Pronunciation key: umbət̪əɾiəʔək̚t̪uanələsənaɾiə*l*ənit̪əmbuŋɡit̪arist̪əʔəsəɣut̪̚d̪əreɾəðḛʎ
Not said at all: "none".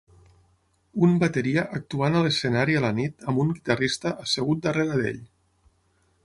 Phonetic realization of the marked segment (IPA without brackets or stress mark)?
l